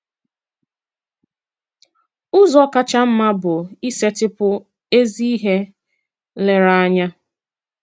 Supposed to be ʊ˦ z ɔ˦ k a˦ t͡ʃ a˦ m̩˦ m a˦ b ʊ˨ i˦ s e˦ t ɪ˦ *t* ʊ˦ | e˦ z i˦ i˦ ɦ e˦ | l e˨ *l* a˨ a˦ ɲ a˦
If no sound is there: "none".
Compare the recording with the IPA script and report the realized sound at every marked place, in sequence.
p, ɾ

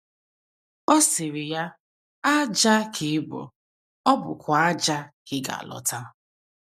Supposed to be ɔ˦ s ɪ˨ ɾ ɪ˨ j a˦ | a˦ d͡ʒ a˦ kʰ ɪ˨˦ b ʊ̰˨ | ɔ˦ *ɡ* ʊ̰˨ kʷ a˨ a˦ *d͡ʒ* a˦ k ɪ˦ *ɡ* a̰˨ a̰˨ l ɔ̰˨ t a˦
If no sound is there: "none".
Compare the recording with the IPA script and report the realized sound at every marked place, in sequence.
b, d͡ʒ, ɡ

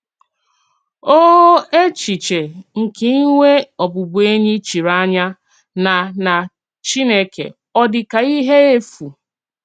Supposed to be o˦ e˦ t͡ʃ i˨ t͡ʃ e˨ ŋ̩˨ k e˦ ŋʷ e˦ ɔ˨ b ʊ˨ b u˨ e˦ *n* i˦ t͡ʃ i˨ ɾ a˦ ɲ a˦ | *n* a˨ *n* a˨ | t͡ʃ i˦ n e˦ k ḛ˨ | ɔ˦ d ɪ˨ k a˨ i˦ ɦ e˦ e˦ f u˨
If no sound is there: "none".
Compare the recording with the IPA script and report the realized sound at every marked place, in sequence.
ɲ, n, n

